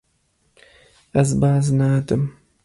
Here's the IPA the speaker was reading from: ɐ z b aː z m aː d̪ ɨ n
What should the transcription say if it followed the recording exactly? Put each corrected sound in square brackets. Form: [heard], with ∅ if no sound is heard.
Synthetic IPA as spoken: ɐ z b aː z [n] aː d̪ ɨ [m]